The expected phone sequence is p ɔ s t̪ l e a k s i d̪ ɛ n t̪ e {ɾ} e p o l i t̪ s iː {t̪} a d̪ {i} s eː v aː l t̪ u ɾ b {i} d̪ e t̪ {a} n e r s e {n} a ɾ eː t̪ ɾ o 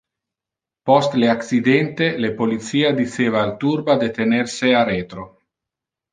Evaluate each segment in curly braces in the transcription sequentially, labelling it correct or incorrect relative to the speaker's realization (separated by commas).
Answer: incorrect, incorrect, correct, incorrect, incorrect, incorrect